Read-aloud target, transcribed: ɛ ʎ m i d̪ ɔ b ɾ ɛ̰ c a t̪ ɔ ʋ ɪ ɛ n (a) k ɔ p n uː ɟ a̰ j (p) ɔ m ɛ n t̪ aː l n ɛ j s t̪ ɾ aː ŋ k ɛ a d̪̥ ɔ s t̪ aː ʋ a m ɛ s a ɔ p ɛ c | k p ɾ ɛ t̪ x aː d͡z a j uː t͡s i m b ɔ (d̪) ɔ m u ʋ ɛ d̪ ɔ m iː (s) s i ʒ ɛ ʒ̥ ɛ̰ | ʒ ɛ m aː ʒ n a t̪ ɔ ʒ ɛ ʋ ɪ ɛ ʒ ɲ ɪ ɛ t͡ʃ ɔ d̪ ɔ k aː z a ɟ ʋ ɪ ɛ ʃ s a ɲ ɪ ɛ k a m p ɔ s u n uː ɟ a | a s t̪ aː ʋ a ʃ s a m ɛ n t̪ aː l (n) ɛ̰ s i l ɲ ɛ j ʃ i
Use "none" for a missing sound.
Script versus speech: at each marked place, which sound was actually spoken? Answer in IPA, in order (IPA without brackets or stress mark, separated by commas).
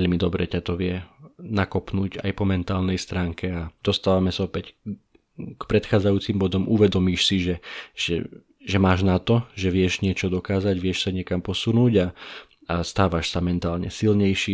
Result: a, p, d̪, ʃ, ɲ